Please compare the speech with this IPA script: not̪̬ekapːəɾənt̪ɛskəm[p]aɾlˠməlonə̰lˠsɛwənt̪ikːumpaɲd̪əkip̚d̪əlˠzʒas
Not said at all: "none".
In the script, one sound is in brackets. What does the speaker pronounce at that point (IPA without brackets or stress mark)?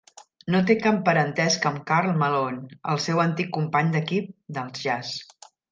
k